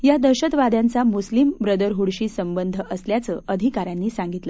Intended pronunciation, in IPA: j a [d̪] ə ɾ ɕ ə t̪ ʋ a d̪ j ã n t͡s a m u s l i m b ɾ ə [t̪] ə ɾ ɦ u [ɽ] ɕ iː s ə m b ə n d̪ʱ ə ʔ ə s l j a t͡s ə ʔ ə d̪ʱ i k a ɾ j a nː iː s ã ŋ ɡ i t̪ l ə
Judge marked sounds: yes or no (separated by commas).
yes, no, yes